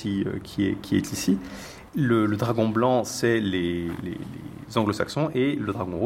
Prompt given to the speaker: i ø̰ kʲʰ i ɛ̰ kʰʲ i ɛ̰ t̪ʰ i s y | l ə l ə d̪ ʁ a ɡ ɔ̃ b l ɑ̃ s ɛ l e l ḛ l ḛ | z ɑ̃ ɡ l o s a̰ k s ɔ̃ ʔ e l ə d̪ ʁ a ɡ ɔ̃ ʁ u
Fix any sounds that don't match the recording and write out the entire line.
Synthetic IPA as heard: i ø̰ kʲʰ i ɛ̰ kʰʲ i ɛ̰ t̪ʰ i s i | l ə l ə d̪ ʁ a ɡ ɔ̃ b l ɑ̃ s ɛ l e l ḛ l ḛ | z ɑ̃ ɡ l o s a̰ k s ɔ̃ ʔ e l ə d̪ ʁ a ɡ ɔ̃ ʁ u